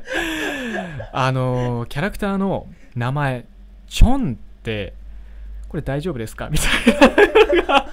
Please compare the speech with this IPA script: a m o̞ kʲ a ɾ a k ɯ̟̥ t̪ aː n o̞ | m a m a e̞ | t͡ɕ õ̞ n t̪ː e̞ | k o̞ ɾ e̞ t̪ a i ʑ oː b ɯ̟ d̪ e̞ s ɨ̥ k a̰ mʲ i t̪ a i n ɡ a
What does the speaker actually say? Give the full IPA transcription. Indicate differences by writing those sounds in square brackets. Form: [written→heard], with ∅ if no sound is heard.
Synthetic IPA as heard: a [m→n] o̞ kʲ a ɾ a k ɯ̟̥ t̪ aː n o̞ | [m→n] a m a e̞ | t͡ɕ õ̞ n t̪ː e̞ | k o̞ ɾ e̞ [t̪→d̪] a i ʑ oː b ɯ̟ d̪ e̞ s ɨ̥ k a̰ mʲ i t̪ a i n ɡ a